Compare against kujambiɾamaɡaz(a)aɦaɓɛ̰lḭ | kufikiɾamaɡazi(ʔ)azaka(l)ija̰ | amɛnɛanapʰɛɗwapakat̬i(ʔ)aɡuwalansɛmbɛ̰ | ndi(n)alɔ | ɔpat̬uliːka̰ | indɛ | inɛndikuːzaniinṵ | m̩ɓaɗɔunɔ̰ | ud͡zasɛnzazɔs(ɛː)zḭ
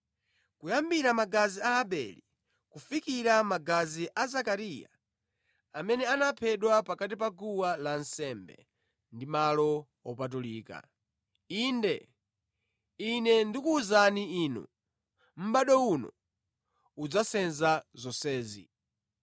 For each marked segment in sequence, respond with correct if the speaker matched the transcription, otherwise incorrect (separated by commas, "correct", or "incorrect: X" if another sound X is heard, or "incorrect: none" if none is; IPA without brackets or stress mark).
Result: incorrect: i, correct, incorrect: ɾ, incorrect: p, incorrect: m, correct